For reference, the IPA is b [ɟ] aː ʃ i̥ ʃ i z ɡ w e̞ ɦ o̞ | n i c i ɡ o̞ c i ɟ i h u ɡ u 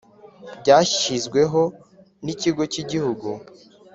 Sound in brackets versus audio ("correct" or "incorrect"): correct